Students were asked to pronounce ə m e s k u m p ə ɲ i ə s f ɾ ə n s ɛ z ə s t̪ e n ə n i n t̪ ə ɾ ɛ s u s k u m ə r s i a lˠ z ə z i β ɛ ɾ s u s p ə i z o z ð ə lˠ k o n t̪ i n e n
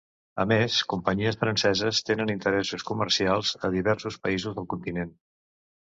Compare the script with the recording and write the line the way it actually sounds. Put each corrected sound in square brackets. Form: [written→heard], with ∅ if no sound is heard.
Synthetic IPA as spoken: ə m e s k u m p ə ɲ i ə s f ɾ ə n s ɛ z ə s t̪ e n ə n i n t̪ ə ɾ ɛ s u s k u m ə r s i a lˠ z ə [z→ð] i β ɛ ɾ s u s p ə i z [o→u] z ð ə lˠ k [o→u] n t̪ i n e n